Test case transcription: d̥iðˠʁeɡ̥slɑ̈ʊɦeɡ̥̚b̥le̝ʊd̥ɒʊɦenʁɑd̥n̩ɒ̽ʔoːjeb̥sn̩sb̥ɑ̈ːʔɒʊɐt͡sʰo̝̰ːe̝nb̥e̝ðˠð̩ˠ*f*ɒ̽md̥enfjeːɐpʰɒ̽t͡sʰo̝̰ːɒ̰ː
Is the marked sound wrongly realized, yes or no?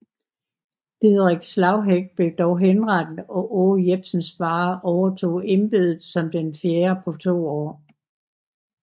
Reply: yes